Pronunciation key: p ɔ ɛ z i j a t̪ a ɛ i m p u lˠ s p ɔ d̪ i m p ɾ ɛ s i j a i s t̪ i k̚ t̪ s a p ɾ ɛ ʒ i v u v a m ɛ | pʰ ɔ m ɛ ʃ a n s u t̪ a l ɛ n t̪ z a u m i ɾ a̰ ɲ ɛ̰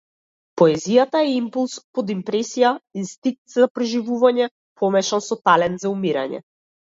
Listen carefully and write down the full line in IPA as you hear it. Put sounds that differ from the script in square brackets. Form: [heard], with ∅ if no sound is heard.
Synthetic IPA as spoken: p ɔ ɛ z i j a t̪ a ɛ i m p u lˠ s p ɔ d̪ i m p ɾ ɛ s i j a i s t̪ i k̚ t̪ [z] a p ɾ ɛ ʒ i v u v a [ɲ] ɛ | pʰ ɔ m ɛ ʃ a n s [ɔ] t̪ a l ɛ n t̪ z a u m i ɾ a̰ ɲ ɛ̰